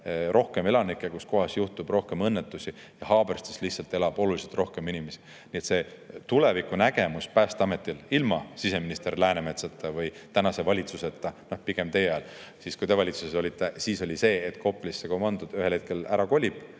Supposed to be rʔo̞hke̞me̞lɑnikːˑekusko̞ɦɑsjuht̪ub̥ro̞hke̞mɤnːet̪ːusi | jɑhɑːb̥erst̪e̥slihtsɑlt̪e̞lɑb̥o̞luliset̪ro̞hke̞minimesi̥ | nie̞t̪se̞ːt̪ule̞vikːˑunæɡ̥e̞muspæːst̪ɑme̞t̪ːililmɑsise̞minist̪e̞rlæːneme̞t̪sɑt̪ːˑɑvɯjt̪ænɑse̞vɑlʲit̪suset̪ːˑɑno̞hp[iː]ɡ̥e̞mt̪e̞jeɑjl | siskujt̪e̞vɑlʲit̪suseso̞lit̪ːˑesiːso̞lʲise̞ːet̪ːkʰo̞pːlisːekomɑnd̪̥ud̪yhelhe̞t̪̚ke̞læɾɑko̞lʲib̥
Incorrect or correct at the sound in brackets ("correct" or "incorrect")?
incorrect